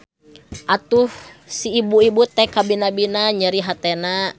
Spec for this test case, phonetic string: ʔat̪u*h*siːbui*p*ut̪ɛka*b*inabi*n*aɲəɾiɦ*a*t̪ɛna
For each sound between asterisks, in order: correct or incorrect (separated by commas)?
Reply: correct, incorrect, correct, correct, correct